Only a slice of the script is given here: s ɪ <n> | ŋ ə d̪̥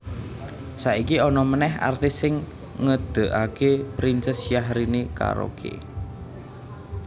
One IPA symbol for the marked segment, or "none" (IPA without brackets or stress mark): ŋ